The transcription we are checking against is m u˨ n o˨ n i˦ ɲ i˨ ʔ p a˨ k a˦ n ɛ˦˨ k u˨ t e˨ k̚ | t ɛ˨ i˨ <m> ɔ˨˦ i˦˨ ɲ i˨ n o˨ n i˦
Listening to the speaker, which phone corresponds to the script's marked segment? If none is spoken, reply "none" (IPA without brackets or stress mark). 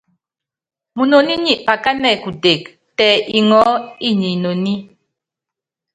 ŋ